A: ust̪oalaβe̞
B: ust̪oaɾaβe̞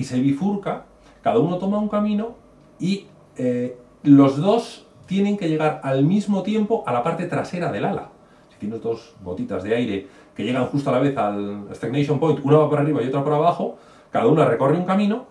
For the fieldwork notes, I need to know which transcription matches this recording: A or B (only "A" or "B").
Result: A